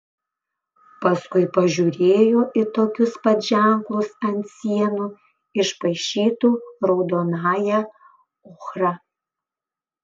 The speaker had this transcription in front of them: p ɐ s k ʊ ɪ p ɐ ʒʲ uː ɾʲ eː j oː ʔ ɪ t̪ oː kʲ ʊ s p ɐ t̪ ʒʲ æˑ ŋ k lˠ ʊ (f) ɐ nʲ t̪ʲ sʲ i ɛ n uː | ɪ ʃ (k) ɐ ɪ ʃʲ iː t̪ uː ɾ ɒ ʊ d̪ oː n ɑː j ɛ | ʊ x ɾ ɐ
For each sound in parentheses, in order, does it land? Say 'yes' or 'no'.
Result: no, no

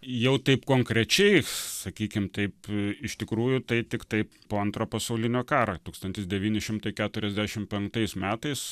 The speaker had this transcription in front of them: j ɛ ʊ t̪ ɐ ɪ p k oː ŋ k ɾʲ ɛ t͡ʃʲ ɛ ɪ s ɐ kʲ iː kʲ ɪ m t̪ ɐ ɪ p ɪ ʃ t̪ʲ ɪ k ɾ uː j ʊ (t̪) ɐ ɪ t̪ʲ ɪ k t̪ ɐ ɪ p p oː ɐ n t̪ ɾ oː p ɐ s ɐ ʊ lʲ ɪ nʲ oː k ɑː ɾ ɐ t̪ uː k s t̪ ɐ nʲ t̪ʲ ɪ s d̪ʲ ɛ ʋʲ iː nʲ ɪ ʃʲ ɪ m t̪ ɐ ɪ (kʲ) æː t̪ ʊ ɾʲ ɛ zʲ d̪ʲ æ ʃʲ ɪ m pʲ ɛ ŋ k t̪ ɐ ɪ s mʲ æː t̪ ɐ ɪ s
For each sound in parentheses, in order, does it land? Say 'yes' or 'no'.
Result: yes, yes

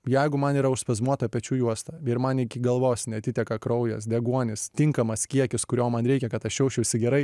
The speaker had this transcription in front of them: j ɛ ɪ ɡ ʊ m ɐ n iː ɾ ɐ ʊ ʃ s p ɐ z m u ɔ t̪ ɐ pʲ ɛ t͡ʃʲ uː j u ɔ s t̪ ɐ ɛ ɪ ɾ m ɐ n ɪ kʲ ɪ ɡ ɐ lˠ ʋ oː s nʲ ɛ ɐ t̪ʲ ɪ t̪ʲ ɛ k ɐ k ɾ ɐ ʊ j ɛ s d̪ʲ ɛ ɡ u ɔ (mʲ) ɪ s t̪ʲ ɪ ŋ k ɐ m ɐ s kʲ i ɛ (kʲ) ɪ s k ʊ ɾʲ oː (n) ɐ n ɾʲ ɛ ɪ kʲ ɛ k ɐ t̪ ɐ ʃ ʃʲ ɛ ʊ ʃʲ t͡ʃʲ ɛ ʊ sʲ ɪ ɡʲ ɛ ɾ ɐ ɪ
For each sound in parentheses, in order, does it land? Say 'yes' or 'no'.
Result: no, yes, no

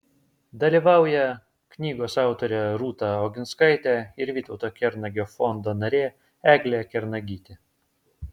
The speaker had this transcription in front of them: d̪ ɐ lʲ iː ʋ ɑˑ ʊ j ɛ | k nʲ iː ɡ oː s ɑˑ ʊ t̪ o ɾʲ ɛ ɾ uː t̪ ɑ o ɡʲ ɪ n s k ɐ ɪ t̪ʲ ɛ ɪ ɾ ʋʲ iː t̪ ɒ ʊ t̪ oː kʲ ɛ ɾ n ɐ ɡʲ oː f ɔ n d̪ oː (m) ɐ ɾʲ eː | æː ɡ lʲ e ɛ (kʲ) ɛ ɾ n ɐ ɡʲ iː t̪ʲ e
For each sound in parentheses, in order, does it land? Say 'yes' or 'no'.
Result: no, yes

